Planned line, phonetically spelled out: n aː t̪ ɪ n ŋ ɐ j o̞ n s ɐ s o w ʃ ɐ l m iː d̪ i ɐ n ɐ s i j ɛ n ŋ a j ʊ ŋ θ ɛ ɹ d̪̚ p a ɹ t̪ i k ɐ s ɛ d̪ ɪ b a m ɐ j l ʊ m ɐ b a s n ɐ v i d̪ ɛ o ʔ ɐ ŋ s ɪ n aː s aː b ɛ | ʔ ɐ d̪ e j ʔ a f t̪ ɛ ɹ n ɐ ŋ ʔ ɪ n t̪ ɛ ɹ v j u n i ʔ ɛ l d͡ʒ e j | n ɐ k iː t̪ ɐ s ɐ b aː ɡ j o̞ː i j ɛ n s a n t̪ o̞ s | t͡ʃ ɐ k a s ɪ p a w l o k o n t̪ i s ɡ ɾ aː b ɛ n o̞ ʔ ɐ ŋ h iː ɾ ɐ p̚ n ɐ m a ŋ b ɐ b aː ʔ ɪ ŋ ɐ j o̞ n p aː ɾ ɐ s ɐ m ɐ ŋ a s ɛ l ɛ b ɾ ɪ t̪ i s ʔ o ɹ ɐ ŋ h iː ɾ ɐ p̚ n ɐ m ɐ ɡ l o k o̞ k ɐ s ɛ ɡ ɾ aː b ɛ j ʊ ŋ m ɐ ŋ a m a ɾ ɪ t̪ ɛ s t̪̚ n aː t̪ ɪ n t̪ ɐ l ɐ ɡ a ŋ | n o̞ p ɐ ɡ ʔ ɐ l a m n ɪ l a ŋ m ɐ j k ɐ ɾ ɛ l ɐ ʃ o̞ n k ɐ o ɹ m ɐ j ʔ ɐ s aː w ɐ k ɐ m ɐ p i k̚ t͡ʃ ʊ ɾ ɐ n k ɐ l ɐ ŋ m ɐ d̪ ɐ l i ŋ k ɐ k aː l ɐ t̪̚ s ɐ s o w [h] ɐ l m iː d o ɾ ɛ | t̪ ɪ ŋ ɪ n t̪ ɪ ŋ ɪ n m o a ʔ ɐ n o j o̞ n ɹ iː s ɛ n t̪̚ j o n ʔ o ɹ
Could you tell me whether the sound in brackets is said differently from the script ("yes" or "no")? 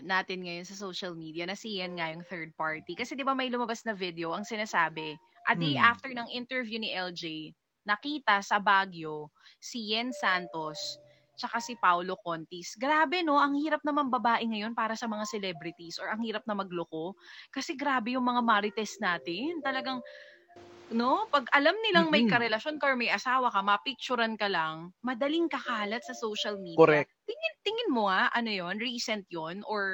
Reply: yes